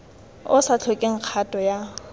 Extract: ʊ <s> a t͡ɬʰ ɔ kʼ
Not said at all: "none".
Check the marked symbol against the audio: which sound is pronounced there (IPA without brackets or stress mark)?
s